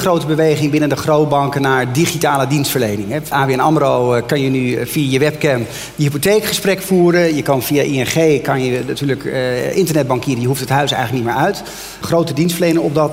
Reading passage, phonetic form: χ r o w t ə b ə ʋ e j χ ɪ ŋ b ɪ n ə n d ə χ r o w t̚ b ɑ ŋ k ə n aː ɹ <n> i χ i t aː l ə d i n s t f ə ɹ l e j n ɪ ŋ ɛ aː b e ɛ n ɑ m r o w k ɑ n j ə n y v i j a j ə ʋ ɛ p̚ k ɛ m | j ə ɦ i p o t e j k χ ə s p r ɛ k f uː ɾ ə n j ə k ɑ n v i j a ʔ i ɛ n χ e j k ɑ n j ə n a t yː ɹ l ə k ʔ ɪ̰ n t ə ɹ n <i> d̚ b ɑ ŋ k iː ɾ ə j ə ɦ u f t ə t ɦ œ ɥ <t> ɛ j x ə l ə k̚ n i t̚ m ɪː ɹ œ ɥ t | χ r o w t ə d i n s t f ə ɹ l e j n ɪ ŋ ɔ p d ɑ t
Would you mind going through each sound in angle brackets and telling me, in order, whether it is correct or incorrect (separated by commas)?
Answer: incorrect, incorrect, incorrect